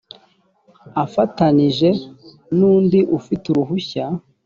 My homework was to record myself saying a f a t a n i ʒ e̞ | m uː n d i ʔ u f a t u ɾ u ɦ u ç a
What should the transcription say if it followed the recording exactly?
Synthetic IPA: a f a t a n i ʒ e̞ | n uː n d i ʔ u f i t u ɾ u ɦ u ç a